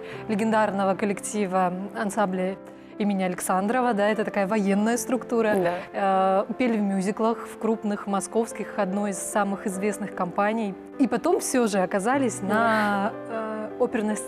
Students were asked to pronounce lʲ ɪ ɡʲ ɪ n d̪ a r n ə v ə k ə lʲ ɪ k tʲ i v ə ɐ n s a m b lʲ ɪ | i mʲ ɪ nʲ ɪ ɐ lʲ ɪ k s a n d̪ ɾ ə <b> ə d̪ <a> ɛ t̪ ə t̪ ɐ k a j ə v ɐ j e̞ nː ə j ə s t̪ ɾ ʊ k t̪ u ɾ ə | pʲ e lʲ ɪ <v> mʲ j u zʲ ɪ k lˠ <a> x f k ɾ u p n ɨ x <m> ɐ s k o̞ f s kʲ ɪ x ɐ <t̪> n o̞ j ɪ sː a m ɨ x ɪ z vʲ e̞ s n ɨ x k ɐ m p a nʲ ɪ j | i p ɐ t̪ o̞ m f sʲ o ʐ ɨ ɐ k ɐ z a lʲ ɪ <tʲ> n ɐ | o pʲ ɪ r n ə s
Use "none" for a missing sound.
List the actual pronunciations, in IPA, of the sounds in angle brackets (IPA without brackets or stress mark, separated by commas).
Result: v, a, v, ə, m, d̪, sʲ